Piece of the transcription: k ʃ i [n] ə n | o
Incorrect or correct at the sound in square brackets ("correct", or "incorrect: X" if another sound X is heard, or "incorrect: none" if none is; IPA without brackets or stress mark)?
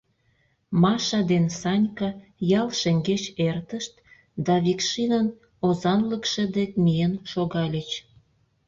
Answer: correct